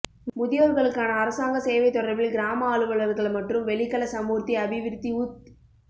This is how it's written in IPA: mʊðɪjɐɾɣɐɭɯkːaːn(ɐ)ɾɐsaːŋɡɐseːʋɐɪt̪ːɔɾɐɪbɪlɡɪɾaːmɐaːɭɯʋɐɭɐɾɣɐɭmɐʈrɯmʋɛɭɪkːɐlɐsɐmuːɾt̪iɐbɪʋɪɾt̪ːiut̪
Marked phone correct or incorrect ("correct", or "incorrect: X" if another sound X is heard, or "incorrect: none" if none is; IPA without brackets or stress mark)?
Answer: incorrect: ɐː